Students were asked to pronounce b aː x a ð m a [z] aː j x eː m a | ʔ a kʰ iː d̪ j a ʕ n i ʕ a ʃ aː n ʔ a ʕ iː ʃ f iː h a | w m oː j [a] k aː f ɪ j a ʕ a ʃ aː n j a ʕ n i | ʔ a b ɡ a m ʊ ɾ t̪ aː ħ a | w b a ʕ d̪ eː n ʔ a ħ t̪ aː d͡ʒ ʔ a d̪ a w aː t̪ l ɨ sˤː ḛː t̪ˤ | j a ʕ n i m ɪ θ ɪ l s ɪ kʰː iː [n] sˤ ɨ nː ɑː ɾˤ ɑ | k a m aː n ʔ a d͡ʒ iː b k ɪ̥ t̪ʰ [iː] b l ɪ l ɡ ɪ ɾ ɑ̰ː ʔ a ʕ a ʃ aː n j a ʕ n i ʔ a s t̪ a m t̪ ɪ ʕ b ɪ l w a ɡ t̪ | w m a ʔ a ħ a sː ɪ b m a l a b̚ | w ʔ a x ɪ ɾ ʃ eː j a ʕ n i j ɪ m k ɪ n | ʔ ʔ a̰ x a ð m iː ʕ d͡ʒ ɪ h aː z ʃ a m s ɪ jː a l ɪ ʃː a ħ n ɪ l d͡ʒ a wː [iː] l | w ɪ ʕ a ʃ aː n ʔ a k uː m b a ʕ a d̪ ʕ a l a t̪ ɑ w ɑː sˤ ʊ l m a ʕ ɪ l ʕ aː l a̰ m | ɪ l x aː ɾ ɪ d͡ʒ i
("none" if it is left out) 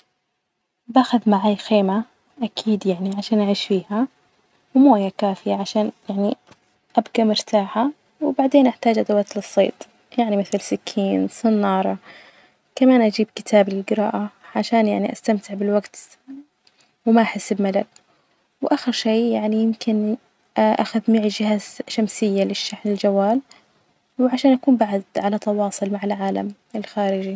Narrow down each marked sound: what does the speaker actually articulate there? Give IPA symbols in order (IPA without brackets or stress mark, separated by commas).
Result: ʕ, a, n, aː, aː